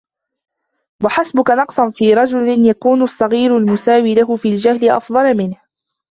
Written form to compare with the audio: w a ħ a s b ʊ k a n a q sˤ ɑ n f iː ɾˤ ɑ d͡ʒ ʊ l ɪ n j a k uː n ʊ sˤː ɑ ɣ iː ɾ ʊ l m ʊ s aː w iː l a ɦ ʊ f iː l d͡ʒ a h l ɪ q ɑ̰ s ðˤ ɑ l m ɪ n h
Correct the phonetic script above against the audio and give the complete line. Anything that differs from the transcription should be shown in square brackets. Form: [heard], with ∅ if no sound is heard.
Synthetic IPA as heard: w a ħ a s b ʊ k a n [ɑ] q sˤ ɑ n f iː ɾˤ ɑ d͡ʒ ʊ l ɪ n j a k uː n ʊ sˤː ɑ ɣ iː ɾ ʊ l m ʊ s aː w iː l a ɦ ʊ f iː l d͡ʒ a h l ɪ [ʔ] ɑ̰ [f] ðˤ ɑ l m ɪ n h